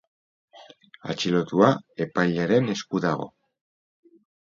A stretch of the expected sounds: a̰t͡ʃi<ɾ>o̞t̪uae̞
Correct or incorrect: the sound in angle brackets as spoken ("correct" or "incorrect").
incorrect